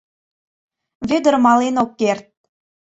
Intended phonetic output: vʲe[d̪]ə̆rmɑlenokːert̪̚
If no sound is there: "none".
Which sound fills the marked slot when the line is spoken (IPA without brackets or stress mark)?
d̪